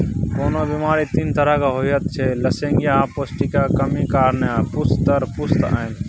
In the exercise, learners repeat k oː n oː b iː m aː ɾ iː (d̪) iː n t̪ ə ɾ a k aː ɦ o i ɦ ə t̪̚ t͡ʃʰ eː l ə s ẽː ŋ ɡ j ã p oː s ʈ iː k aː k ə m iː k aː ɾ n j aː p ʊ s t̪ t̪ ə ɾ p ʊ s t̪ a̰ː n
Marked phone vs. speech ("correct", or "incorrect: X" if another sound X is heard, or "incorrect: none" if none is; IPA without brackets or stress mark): incorrect: t̪